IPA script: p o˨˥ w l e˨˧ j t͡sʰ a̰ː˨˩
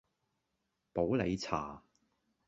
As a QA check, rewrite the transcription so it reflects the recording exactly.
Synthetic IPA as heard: p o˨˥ w l e˨˧ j t͡sʰ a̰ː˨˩